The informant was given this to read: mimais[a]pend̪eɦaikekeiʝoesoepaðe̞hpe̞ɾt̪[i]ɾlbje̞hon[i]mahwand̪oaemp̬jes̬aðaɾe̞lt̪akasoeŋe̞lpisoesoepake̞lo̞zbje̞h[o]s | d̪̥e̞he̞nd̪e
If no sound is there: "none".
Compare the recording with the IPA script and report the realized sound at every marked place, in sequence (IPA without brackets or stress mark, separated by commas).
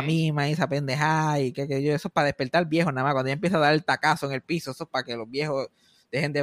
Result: a, a, a, o